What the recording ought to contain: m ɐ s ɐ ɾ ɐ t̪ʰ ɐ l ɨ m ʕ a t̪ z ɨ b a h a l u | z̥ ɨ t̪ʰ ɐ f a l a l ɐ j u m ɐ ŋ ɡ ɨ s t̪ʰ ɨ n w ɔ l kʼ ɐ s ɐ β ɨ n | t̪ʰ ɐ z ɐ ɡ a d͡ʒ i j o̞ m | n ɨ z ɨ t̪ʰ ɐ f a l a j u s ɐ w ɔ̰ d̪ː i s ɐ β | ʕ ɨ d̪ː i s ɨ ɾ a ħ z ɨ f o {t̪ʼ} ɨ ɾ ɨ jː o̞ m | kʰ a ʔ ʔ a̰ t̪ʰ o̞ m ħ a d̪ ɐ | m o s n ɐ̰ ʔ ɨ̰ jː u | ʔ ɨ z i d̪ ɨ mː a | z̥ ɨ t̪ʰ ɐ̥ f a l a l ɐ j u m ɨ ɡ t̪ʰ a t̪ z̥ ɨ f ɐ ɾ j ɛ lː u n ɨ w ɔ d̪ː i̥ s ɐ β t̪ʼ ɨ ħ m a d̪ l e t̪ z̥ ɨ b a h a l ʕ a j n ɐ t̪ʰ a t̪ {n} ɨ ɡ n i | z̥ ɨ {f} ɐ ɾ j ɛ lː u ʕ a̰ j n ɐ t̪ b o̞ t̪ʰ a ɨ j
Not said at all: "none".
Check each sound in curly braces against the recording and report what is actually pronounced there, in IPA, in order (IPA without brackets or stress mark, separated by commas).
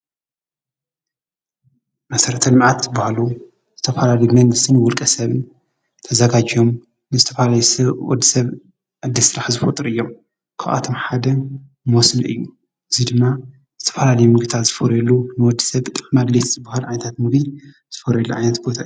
t̪ʼ, m, f